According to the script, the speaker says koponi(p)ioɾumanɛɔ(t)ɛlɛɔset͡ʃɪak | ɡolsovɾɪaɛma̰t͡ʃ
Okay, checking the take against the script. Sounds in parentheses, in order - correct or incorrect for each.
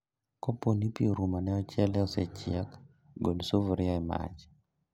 correct, incorrect: t͡ʃ

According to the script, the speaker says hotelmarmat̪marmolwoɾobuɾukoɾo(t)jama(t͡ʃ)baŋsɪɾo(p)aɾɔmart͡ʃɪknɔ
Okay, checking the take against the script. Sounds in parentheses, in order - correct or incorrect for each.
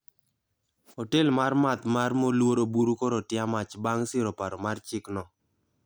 correct, correct, correct

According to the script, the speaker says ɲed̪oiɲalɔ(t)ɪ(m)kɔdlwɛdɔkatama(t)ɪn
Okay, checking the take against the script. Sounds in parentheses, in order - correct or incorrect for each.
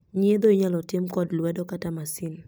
correct, correct, incorrect: s

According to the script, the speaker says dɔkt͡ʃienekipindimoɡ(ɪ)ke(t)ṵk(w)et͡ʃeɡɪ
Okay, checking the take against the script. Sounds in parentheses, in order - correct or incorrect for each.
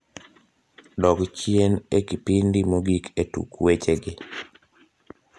incorrect: i, correct, correct

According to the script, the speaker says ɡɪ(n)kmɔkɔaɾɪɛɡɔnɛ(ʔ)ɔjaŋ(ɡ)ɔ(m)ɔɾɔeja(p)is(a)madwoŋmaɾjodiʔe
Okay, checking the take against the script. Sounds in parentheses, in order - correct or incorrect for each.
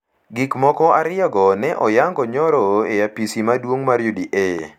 incorrect: none, correct, correct, incorrect: ɲ, correct, incorrect: i

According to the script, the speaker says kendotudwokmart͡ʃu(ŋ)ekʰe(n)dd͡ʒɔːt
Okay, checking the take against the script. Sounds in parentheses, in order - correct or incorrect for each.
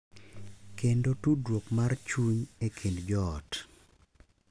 incorrect: ɲ, correct

